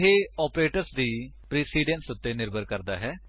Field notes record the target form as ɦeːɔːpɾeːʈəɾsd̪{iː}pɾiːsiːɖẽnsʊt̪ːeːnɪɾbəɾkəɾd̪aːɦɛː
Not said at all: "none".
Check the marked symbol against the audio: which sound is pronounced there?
iː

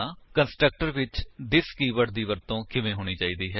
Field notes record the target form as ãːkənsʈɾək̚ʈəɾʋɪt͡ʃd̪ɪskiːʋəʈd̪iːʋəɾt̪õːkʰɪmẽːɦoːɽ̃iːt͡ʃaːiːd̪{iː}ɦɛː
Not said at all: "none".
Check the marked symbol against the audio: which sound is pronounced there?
iː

